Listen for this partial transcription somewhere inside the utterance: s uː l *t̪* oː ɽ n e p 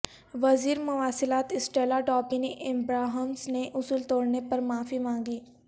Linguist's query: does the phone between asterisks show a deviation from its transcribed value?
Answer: no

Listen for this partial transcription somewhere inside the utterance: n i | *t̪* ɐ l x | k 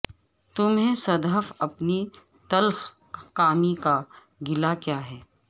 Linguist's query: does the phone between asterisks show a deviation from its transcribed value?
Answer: no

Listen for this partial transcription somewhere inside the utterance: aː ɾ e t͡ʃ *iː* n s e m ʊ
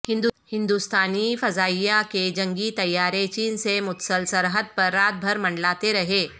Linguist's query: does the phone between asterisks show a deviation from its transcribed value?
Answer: no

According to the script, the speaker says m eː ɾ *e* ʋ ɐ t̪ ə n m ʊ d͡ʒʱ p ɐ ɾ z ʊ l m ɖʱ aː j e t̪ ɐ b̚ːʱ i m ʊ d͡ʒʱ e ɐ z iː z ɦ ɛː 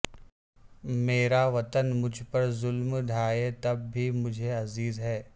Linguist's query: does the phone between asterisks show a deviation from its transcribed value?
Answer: yes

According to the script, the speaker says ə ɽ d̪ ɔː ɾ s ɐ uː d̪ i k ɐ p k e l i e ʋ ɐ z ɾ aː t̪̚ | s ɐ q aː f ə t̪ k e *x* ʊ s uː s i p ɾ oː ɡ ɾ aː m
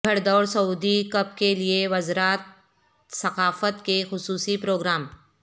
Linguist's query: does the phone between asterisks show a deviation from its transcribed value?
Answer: no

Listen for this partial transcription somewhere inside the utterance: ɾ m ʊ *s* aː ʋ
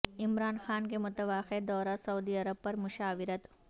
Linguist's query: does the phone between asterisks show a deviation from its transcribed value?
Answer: yes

